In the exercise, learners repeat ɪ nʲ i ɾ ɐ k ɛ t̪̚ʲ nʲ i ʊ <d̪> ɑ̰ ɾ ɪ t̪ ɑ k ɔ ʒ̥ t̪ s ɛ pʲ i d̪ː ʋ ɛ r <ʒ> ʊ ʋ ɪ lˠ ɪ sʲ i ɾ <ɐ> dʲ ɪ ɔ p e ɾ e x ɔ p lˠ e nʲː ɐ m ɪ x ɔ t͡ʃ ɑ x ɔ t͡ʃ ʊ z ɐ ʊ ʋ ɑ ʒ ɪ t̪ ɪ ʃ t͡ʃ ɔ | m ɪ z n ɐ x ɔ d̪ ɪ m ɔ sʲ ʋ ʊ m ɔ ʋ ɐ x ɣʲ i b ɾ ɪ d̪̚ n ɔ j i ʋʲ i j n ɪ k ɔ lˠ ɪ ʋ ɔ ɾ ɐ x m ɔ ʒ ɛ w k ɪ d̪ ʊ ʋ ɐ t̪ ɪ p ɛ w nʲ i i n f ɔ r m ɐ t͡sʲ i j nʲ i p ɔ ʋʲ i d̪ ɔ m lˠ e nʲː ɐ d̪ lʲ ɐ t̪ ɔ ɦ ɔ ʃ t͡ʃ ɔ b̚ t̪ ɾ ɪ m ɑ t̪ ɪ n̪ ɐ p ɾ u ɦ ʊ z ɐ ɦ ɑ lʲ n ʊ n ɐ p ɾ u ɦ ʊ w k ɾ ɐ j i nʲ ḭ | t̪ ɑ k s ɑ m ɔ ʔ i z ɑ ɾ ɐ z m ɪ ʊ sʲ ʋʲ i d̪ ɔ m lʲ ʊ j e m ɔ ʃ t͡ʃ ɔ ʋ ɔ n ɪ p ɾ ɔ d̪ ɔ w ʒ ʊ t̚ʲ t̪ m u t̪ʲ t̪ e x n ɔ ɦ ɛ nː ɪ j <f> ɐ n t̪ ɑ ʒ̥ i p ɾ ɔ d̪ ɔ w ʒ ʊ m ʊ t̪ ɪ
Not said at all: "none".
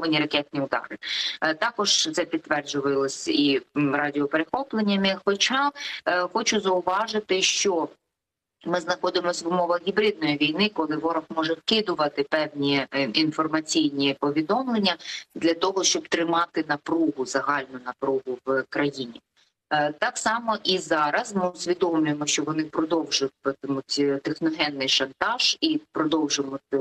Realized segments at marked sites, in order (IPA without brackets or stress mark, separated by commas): d̪, d͡ʒ, ɑ, ʃ